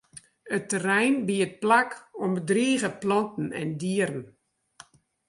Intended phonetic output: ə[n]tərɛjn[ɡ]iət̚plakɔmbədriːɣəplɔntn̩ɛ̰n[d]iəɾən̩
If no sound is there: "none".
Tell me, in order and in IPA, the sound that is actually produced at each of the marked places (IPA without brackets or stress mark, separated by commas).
none, b, d